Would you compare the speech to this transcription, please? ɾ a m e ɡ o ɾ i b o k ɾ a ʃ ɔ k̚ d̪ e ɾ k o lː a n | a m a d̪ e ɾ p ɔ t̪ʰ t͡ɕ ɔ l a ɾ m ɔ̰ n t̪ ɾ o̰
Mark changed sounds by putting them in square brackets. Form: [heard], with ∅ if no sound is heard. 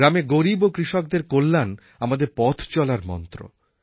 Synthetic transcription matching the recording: ɾ a m e ɡ o ɾ i b o k ɾ [i] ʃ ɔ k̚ d̪ e ɾ k o lː a n | a m a d̪ e ɾ p ɔ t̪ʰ t͡ɕ ɔ l a ɾ m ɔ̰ n t̪ ɾ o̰